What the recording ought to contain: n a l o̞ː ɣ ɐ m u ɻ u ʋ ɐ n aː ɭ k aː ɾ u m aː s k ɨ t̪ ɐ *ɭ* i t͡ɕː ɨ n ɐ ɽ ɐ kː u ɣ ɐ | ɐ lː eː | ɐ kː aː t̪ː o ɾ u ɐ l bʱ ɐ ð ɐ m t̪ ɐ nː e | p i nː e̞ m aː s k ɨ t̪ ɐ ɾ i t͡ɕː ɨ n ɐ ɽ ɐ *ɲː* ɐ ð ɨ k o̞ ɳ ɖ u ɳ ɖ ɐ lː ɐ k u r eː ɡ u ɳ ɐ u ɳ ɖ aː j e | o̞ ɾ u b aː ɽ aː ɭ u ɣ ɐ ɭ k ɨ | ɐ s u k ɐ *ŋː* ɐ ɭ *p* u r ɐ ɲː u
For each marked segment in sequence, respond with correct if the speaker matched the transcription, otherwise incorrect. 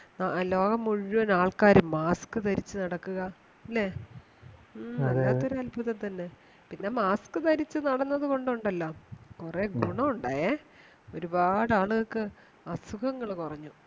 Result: incorrect, incorrect, correct, incorrect

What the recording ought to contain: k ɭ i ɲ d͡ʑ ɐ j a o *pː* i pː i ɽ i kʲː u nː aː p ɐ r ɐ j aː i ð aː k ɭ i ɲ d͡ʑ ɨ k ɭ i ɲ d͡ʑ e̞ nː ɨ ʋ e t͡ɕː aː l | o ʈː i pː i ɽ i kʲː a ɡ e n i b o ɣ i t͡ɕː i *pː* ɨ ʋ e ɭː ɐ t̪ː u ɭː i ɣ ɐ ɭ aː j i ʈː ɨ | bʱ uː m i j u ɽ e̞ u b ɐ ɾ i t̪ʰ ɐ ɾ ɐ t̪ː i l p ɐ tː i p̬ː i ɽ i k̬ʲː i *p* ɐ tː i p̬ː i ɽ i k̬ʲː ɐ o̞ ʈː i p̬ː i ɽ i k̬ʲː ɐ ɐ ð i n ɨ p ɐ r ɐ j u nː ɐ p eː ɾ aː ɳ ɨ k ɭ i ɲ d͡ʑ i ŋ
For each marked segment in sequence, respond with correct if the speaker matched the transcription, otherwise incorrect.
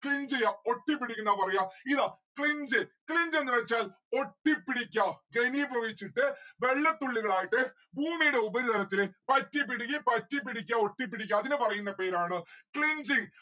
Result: incorrect, incorrect, correct

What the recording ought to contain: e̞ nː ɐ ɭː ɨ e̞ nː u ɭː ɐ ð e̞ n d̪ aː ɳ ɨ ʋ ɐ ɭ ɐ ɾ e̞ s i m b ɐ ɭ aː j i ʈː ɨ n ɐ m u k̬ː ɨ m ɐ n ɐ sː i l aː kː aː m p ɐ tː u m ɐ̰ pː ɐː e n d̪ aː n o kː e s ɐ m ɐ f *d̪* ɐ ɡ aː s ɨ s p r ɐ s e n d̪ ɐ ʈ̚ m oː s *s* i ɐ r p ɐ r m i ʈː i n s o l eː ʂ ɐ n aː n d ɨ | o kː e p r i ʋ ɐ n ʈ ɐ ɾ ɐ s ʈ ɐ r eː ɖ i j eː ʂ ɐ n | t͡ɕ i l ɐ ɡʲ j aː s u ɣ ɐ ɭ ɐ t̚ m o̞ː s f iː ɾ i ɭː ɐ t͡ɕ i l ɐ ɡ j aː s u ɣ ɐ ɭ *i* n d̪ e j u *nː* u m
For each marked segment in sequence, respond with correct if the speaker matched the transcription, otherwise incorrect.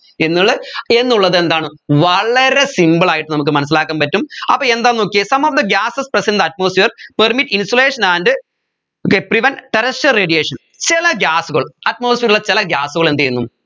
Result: correct, incorrect, incorrect, correct

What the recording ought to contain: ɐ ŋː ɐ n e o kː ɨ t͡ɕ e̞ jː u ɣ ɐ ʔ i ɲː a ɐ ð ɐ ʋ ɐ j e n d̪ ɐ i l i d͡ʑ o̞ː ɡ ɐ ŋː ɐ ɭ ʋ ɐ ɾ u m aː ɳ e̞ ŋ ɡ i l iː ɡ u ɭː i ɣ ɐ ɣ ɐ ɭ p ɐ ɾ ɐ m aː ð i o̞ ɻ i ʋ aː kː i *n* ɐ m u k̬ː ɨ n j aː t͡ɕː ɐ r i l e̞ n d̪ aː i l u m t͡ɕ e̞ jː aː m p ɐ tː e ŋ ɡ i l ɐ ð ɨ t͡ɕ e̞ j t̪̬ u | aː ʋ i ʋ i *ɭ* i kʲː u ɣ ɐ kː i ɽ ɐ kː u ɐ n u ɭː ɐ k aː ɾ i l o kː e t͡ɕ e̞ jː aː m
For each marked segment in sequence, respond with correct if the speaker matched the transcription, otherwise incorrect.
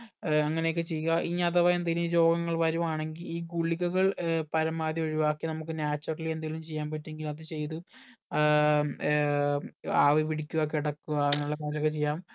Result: correct, incorrect

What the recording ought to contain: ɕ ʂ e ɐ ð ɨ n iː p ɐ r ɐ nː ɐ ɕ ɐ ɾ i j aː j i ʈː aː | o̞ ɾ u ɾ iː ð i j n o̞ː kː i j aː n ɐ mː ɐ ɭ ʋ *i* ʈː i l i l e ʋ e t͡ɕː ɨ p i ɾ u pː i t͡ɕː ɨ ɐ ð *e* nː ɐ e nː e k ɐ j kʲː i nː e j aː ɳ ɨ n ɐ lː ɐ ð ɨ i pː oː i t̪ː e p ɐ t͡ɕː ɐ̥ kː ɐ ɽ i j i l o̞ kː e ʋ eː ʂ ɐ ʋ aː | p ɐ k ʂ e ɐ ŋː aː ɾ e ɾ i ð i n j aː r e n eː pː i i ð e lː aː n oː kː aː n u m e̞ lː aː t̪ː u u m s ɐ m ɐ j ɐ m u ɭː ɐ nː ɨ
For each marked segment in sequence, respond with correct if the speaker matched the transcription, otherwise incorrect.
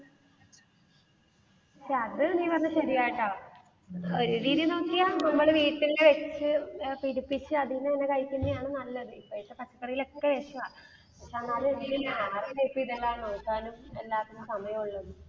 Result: incorrect, incorrect

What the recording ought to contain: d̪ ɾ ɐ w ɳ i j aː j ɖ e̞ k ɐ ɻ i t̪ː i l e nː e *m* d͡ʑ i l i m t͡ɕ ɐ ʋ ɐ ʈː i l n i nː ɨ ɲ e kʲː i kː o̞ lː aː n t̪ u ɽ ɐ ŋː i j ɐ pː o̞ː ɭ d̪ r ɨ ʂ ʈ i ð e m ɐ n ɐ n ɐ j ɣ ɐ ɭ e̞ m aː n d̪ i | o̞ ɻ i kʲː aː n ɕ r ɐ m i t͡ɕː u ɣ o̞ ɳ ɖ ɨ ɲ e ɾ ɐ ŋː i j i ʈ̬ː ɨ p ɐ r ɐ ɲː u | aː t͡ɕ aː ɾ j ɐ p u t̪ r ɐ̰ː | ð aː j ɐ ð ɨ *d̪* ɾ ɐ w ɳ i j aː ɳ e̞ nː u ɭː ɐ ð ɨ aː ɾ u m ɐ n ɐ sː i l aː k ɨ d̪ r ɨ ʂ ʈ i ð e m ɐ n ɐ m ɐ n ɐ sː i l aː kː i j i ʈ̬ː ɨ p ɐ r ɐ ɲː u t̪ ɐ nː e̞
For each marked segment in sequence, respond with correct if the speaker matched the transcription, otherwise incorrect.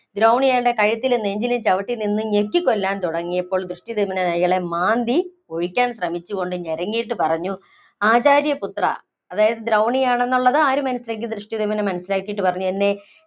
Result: incorrect, correct

